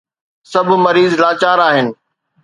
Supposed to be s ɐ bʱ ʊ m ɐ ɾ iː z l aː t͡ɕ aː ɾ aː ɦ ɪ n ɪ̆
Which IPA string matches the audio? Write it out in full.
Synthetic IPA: s ɐ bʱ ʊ m ɐ ɾ iː z l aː t͡ɕ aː ɾ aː ɦ ɪ n ɪ̆